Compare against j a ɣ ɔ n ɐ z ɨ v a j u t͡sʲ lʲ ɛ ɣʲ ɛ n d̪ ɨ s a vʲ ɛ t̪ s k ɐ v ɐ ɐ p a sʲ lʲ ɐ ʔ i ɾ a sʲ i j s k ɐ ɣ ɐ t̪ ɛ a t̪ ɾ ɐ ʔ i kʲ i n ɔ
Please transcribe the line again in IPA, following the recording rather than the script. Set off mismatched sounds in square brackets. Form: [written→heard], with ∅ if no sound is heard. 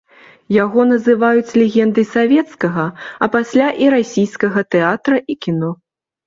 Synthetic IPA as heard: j a ɣ ɔ n ɐ z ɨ v a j u t͡sʲ lʲ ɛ ɣʲ ɛ n d̪ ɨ s a vʲ ɛ t̪ s k ɐ [v→ɣ] ɐ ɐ p a sʲ lʲ [ɐ→a] ʔ i ɾ a sʲ i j s k ɐ ɣ ɐ t̪ ɛ a t̪ ɾ ɐ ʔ i kʲ i n ɔ